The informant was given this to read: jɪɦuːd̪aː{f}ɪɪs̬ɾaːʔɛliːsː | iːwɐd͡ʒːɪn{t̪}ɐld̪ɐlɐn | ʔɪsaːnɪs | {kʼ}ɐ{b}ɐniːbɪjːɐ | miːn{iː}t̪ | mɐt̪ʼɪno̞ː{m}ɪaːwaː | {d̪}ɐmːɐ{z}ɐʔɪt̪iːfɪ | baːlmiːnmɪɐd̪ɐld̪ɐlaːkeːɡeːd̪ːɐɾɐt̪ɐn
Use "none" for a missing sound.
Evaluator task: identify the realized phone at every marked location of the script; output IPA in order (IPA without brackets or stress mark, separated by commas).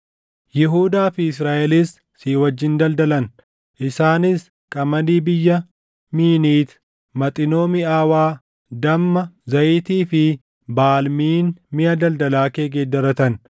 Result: f, d̪, kʼ, m, iː, m, d̪, z